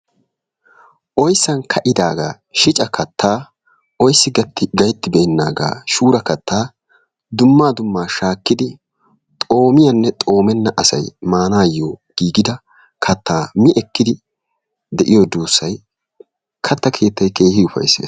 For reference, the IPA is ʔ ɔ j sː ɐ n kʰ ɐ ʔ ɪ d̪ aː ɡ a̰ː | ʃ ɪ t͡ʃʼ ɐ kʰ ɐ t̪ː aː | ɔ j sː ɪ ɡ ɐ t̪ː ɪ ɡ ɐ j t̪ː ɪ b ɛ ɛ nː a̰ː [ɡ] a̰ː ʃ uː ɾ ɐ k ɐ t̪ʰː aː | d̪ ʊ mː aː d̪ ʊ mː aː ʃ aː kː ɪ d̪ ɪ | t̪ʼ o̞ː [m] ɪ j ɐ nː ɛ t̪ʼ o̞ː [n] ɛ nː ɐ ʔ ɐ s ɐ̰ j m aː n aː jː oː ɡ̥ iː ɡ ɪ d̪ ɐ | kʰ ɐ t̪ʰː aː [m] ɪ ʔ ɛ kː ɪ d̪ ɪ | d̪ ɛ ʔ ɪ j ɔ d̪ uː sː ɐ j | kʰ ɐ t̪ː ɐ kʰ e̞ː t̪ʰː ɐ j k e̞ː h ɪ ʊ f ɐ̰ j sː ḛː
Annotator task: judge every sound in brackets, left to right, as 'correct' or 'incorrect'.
correct, correct, incorrect, correct

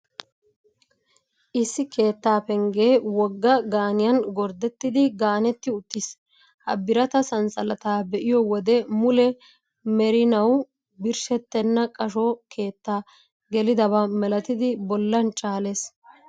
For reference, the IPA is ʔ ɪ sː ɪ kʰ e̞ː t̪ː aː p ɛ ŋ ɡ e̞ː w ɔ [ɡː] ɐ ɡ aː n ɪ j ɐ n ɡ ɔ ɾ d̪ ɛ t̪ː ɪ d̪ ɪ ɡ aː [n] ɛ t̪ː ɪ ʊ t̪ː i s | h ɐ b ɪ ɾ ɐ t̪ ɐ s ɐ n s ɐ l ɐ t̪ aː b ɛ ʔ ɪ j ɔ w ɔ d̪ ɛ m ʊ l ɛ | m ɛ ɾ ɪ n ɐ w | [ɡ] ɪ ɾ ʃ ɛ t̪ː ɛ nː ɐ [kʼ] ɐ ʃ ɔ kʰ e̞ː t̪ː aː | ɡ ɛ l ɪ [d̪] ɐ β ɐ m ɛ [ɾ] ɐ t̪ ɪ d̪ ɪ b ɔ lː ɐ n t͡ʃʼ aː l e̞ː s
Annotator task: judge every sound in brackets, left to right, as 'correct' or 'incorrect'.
correct, correct, incorrect, correct, correct, incorrect

